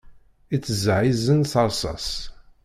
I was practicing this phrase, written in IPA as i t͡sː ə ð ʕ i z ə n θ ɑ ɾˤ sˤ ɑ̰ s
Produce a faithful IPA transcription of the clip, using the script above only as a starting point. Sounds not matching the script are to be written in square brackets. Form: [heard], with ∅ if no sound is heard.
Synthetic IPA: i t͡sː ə [z] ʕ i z ə n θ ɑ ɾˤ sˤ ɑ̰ s

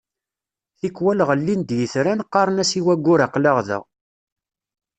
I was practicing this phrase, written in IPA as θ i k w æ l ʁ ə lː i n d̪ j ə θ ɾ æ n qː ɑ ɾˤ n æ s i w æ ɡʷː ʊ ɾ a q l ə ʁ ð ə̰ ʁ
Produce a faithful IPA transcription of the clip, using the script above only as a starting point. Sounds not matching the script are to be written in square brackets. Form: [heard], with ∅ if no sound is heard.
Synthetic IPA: θ i k w æ l ʁ ə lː i n d̪ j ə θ ɾ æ n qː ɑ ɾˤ n æ s i w æ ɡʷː ʊ ɾ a q l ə ʁ ð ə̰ ʁ

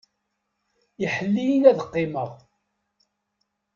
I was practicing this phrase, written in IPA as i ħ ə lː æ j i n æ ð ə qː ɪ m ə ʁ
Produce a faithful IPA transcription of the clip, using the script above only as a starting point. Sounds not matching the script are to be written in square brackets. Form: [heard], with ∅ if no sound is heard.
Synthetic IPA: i ħ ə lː [i] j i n æ ð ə qː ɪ m ə ʁ

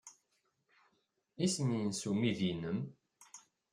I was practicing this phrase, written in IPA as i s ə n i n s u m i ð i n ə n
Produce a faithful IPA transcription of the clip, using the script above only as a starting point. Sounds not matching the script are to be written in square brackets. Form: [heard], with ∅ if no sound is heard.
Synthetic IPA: i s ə n i n s u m i ð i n ə [m]

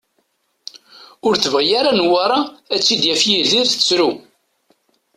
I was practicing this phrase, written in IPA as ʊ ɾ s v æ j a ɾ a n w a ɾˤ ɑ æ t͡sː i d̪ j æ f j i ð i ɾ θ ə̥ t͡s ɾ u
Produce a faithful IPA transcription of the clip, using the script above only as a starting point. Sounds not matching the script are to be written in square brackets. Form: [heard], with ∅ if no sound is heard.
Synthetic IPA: ʊ ɾ [θ] v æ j a ɾ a n w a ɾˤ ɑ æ t͡sː i d̪ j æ f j i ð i ɾ θ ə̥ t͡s ɾ u

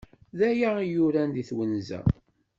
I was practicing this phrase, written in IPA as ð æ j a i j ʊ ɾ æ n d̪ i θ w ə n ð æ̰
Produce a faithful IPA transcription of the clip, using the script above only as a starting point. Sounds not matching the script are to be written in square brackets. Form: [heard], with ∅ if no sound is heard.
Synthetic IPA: ð æ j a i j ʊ ɾ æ n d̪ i θ w ə n [z] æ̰

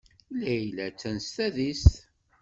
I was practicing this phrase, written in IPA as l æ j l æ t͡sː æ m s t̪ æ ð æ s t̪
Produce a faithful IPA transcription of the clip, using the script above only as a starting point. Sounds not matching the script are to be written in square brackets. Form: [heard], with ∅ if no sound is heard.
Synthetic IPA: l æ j l æ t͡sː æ [n] s t̪ æ ð [i] s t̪

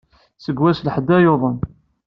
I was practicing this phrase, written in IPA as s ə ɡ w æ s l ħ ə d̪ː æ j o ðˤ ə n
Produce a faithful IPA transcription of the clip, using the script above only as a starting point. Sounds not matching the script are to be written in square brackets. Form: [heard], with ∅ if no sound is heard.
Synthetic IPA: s ə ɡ w æ s l ħ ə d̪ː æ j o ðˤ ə n

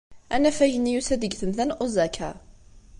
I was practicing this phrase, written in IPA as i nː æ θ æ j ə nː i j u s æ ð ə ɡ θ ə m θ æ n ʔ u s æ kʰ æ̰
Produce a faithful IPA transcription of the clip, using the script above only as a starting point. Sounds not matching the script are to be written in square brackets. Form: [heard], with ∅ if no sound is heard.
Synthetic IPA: [æ] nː æ [f] æ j ə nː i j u s æ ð ə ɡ θ ə m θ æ n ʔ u [z] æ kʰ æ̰

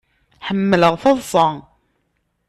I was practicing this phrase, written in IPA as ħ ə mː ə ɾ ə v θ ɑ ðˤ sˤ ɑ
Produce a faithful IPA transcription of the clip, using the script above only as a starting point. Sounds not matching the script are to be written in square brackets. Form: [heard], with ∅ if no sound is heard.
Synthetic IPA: ħ ə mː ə [l] ə [ʁ] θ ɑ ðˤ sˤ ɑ

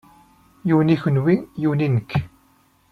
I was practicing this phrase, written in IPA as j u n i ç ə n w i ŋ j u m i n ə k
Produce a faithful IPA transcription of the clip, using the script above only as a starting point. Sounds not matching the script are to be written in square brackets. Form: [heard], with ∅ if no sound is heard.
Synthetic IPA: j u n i ç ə n w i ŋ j u [n] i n ə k

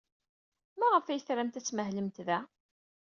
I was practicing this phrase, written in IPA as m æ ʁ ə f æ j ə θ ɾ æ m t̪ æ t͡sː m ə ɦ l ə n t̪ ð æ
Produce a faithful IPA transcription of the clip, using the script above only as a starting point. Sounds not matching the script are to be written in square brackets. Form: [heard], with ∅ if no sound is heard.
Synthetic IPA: m æ ʁ ə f æ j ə θ ɾ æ m t̪ æ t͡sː m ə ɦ l ə [m] t̪ ð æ

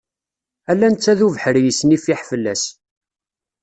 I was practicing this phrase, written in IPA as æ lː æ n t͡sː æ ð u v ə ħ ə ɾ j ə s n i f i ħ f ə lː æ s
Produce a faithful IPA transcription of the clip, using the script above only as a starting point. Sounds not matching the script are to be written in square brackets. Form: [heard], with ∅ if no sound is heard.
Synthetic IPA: æ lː æ n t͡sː æ ð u v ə ħ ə ɾ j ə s n i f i ħ f ə lː æ s

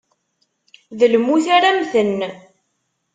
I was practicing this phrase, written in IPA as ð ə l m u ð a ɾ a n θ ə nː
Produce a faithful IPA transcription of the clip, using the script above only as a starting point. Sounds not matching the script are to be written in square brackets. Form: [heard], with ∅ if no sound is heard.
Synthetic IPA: ð ə l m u [θ] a ɾ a [m] θ ə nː

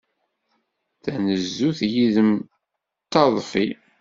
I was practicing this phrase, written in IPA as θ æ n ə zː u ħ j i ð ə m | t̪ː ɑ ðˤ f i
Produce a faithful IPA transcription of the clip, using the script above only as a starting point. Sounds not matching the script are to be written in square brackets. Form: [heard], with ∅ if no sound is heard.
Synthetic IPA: θ æ n ə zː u [θ] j i ð ə m | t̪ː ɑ ðˤ f i

